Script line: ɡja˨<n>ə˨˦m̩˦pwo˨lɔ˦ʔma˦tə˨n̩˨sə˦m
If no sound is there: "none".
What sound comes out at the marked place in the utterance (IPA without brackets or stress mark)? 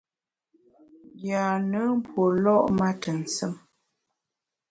n